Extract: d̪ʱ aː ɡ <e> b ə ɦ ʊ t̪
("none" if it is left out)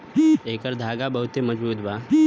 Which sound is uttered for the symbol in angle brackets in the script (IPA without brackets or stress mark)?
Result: a